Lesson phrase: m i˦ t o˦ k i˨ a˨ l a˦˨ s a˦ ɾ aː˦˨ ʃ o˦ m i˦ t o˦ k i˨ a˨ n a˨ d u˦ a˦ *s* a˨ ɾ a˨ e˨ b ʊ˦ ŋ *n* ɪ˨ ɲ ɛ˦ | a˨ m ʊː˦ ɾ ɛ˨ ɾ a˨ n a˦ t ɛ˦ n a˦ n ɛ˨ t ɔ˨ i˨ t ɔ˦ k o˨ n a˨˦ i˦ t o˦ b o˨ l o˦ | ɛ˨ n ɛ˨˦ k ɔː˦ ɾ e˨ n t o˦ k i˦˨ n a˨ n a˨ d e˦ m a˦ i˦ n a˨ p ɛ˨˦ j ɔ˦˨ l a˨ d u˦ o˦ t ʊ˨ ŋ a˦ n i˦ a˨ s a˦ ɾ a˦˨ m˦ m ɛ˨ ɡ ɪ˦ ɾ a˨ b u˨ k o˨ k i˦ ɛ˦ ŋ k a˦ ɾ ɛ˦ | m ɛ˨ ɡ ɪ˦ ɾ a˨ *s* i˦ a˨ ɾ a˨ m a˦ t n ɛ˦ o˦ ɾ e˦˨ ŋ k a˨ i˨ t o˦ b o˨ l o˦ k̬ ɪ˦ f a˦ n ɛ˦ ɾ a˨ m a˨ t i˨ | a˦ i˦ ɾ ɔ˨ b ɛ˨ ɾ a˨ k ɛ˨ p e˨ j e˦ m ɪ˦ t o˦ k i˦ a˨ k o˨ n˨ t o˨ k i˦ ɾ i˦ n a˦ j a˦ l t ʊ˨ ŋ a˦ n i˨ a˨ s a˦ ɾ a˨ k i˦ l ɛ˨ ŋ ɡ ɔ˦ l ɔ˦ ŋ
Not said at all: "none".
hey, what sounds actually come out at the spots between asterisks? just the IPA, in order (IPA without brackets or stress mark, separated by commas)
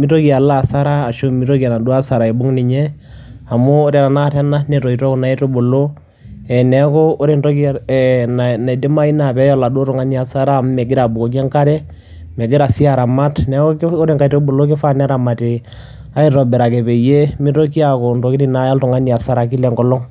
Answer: s, n, s